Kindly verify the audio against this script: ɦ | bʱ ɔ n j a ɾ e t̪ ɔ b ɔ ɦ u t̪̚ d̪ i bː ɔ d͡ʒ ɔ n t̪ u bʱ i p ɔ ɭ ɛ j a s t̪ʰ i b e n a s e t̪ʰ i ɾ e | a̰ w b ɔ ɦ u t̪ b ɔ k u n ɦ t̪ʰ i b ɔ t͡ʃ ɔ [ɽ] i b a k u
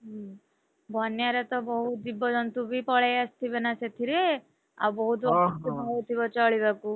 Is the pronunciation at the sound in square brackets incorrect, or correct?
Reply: incorrect